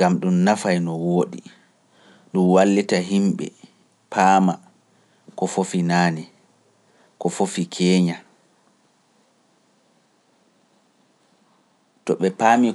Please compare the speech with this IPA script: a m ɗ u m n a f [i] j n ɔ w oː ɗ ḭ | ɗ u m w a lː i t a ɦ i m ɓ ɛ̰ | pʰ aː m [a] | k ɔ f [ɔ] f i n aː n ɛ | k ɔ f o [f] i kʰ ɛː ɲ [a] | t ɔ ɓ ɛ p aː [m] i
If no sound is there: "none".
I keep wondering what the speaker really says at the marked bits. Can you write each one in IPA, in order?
a, a, o, f, a, m

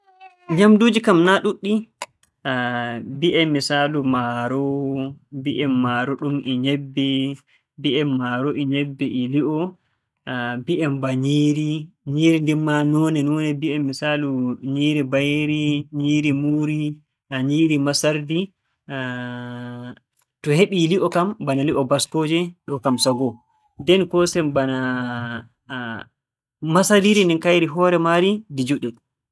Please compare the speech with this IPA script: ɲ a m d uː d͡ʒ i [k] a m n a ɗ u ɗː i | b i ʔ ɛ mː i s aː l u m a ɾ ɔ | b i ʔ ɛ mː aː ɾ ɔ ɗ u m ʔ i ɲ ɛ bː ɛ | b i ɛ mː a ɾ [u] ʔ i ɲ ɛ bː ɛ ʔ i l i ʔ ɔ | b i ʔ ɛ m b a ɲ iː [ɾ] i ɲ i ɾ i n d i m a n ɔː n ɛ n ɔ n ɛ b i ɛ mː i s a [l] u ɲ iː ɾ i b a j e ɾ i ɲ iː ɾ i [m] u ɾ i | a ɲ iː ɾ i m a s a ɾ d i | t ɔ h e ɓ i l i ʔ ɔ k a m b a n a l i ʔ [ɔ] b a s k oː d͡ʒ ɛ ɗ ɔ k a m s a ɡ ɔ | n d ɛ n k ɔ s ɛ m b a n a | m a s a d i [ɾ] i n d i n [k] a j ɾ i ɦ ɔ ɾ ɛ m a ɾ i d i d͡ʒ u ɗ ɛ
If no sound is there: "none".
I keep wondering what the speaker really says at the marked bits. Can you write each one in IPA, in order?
k, ɔ, ɾ, l, m, ɔ, ɾ, k

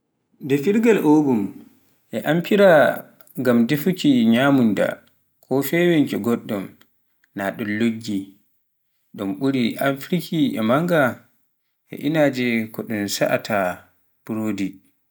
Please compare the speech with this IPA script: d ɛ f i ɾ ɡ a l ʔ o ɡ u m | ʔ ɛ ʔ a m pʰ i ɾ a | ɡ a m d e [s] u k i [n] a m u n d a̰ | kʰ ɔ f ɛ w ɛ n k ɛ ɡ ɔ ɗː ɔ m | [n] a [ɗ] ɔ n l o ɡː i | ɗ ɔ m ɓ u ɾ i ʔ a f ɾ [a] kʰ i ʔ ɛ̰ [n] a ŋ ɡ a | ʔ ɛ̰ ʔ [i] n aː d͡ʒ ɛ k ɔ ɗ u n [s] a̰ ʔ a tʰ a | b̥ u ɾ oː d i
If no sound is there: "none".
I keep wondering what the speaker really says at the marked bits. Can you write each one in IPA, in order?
f, ɲ, n, ɗ, i, m, i, s

